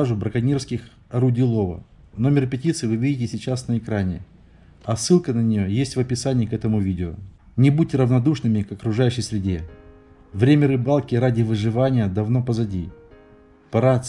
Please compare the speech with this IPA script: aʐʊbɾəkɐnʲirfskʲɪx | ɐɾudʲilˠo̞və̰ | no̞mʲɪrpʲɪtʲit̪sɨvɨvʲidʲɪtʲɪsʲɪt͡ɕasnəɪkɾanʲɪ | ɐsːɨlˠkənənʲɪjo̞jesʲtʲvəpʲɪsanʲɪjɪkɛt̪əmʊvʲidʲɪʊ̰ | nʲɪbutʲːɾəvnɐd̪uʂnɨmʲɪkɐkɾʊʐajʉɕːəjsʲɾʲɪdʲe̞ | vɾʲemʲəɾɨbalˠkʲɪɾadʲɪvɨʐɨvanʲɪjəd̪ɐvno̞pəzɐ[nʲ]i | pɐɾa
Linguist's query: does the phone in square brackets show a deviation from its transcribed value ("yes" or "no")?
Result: yes